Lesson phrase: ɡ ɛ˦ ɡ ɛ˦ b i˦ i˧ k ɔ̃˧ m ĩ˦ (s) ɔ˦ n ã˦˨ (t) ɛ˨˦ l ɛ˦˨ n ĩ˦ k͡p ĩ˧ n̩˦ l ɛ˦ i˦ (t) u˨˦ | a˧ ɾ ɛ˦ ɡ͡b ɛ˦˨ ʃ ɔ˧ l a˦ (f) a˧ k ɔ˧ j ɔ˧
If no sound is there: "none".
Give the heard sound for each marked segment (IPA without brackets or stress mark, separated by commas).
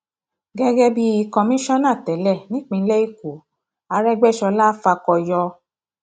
ʃ, t, k, f